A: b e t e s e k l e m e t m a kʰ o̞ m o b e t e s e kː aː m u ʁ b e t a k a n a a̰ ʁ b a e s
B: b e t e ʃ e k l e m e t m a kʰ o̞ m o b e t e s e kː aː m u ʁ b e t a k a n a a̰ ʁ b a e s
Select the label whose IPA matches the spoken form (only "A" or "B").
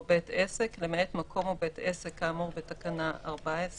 A